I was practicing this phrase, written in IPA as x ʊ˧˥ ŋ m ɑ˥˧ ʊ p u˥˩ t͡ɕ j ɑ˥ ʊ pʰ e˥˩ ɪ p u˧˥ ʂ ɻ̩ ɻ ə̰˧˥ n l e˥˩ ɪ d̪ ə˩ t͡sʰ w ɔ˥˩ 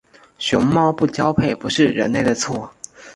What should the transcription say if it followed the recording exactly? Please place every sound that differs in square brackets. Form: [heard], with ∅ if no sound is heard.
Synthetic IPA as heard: [ɕ] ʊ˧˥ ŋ m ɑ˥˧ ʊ p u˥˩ t͡ɕ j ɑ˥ ʊ pʰ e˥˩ ɪ p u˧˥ ʂ ɻ̩ ɻ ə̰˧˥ n l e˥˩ ɪ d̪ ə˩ t͡sʰ w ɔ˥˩